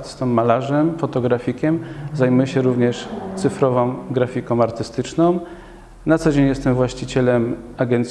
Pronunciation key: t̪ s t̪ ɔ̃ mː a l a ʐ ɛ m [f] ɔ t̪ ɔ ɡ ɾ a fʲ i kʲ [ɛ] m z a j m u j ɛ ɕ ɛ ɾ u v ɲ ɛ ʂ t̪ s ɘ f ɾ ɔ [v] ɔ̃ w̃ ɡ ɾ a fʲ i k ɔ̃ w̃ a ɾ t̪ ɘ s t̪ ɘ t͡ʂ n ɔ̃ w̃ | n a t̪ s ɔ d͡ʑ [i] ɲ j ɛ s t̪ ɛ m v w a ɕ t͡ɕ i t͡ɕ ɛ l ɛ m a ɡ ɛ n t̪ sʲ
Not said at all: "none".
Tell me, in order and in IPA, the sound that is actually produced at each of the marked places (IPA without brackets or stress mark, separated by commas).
f, ɛ, v, e